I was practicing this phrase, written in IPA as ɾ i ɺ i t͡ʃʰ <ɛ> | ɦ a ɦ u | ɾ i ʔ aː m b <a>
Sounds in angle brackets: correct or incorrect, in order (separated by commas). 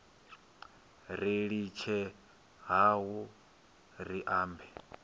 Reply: correct, incorrect